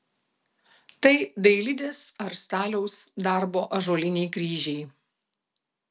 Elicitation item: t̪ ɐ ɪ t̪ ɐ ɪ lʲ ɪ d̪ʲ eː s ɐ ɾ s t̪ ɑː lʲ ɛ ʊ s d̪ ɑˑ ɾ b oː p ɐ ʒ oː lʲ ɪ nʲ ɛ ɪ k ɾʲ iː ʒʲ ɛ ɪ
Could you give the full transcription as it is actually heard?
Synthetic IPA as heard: t̪ ɐ ɪ d̪ ɐ ɪ lʲ ɪ d̪ʲ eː s ɐ ɾ s t̪ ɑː lʲ ɛ ʊ s d̪ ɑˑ ɾ b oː ʔ ɐ ʒ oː lʲ ɪ nʲ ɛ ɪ k ɾʲ iː ʒʲ ɛ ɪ